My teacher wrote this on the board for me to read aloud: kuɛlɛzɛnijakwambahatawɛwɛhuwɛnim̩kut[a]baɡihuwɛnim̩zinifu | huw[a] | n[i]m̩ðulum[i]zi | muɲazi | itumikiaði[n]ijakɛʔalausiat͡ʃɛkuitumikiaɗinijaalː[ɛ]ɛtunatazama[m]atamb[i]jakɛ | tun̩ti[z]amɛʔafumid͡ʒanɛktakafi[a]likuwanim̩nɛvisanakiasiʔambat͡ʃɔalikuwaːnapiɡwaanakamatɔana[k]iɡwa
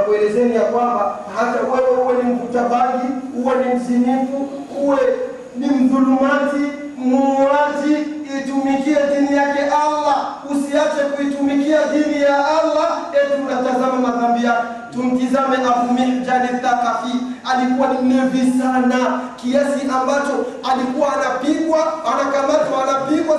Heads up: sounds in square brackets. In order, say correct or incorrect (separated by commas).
correct, incorrect, correct, incorrect, correct, incorrect, correct, correct, correct, correct, incorrect